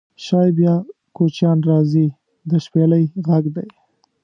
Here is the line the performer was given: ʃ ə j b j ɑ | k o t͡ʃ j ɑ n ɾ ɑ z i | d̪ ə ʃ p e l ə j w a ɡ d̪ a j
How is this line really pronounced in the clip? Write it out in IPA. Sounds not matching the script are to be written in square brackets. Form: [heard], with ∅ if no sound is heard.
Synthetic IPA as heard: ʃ [ɑ] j b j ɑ | k o t͡ʃ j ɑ n ɾ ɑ z i | d̪ ə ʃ p e l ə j [ɣ] a ɡ d̪ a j